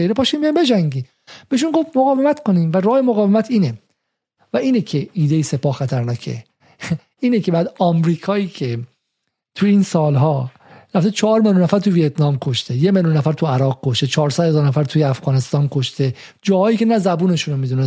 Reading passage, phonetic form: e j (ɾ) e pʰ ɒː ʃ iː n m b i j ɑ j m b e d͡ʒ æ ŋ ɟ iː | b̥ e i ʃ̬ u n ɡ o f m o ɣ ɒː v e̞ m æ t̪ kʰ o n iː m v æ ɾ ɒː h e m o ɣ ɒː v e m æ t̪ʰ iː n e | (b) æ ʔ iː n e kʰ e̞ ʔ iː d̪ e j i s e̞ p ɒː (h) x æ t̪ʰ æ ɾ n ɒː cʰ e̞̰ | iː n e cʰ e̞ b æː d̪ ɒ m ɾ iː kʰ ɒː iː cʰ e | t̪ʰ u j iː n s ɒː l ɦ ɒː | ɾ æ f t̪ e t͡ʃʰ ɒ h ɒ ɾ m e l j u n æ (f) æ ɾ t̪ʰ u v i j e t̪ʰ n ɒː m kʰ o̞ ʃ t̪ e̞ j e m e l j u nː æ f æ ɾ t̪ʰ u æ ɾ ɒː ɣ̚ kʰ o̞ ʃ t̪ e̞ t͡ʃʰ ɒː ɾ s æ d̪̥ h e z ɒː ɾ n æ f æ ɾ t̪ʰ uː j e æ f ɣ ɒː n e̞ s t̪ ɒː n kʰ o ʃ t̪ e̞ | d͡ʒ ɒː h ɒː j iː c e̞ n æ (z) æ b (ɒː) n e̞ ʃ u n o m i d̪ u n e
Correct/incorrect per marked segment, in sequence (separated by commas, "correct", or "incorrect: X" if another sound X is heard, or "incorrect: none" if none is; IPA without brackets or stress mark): correct, incorrect: v, correct, correct, correct, incorrect: uː